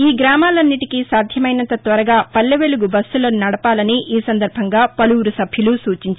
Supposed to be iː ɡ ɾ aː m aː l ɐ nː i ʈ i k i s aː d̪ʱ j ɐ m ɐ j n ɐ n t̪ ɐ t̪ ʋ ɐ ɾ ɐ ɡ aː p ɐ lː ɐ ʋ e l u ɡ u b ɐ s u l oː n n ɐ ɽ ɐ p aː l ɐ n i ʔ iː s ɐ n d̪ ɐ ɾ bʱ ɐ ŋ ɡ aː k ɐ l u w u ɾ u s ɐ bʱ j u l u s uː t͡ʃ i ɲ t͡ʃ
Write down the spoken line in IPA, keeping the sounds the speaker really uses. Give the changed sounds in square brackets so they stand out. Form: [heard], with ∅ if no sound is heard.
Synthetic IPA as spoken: iː ɡ ɾ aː m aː l ɐ nː i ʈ i k i s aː d̪ʱ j ɐ m ɐ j n ɐ n t̪ ɐ t̪ ʋ ɐ ɾ ɐ ɡ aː p ɐ lː ɐ ʋ e l u ɡ u b ɐ s u l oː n n ɐ ɽ ɐ p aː l ɐ n i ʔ iː s ɐ n d̪ ɐ ɾ bʱ ɐ ŋ ɡ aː [p] ɐ l u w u ɾ u s ɐ bʱ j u l u s uː t͡ʃ i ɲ t͡ʃ